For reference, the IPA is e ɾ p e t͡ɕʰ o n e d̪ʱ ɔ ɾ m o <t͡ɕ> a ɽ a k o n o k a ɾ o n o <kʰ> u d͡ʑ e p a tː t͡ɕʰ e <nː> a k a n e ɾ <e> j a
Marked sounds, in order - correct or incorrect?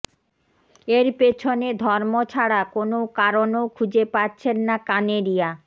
incorrect, correct, correct, incorrect

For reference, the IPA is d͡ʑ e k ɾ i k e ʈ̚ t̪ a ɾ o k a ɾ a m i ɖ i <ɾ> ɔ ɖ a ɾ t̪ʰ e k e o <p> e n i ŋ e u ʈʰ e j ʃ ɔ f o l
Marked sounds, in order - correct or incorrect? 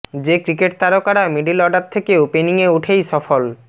incorrect, correct

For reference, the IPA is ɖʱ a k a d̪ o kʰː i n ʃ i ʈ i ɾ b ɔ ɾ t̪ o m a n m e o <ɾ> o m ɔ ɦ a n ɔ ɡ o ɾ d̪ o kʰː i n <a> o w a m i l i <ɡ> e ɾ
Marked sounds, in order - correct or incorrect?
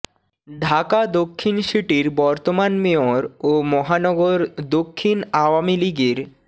correct, correct, correct

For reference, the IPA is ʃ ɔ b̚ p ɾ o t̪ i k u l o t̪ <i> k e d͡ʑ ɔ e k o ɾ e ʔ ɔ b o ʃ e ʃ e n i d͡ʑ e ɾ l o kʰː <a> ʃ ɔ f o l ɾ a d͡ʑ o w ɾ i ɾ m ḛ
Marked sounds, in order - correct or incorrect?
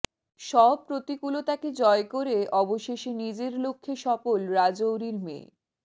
incorrect, incorrect

